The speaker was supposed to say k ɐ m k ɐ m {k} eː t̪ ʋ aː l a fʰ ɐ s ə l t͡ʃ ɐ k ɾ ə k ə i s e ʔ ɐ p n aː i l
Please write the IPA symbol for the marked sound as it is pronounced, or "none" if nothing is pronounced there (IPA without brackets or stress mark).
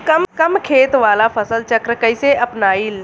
kʰ